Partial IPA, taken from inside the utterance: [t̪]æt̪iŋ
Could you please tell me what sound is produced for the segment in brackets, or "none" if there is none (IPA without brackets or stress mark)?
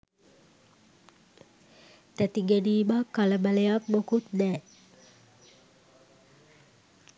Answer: t̪